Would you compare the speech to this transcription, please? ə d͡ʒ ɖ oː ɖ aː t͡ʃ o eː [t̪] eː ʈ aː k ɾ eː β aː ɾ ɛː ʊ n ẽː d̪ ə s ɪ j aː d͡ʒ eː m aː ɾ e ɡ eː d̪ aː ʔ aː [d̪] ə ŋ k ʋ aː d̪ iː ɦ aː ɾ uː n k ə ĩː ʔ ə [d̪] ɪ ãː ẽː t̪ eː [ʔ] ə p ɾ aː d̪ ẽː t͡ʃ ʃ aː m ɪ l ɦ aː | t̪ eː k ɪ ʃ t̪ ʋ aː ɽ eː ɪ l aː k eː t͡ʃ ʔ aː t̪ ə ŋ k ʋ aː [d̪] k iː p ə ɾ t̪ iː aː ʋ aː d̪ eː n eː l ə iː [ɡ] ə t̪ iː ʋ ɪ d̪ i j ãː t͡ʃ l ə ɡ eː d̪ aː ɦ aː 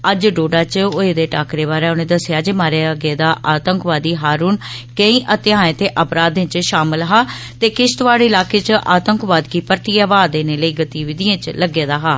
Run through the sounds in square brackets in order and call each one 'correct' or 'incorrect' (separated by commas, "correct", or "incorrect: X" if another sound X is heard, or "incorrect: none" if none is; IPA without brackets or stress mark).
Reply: incorrect: d̪, incorrect: t̪, incorrect: t̪, correct, correct, correct